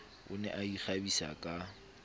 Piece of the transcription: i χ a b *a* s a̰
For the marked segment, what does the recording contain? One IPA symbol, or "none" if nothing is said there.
i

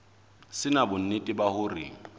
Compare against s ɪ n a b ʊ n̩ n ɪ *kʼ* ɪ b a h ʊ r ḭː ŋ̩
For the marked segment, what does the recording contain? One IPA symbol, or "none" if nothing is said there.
tʼ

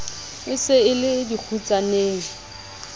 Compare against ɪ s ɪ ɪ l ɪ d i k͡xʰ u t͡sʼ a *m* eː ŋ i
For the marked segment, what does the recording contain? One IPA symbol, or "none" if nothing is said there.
n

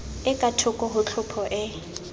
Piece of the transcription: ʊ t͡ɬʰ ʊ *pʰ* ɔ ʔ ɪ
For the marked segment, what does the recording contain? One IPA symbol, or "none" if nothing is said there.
pʰ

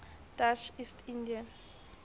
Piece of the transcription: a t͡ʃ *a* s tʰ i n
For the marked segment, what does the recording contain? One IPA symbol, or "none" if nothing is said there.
i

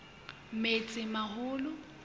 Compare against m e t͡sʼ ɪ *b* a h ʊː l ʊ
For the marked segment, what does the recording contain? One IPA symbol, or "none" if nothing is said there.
m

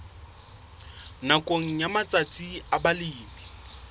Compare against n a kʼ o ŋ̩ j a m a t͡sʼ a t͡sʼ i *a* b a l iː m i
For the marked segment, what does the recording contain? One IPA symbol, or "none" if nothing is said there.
a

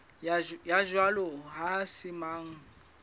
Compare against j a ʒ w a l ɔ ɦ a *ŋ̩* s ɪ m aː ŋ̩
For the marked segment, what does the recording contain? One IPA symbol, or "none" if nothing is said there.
none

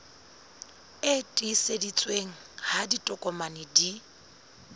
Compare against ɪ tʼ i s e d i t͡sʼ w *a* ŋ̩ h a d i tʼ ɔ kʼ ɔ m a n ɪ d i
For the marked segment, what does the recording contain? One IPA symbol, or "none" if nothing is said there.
e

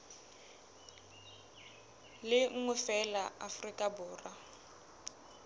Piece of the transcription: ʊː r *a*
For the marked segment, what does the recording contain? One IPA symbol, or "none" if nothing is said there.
a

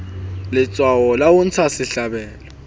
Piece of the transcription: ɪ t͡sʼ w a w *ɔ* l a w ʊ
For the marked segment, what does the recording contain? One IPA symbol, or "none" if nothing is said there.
ɔ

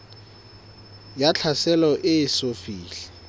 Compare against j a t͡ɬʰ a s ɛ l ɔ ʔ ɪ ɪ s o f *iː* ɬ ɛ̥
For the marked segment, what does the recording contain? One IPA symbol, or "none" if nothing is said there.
iː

